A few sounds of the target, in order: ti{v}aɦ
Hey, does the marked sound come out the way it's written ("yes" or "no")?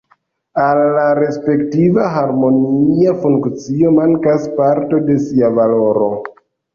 yes